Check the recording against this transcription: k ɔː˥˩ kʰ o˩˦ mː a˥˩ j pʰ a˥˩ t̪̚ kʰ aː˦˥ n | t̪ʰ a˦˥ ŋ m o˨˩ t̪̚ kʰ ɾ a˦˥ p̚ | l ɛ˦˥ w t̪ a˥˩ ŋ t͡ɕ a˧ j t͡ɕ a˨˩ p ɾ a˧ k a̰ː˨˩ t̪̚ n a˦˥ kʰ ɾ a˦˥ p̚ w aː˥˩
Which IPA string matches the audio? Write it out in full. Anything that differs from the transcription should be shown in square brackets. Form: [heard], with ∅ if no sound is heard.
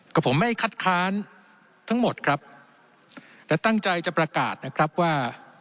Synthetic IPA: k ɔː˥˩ [pʰ] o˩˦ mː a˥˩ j [kʰ] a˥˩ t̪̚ kʰ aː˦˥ n | t̪ʰ a˦˥ ŋ m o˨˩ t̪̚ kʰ ɾ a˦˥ p̚ | l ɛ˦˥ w t̪ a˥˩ ŋ t͡ɕ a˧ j t͡ɕ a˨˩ p ɾ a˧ k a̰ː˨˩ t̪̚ n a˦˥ kʰ ɾ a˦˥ p̚ w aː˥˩